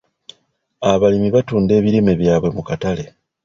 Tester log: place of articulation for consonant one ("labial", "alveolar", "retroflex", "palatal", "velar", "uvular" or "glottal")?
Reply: labial